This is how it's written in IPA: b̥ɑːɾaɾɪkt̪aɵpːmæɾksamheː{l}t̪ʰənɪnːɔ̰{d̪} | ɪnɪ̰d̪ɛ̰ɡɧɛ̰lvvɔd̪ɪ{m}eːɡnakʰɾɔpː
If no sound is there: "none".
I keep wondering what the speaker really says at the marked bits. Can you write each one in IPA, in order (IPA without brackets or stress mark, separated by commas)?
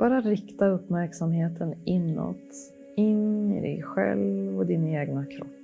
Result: none, t̪, n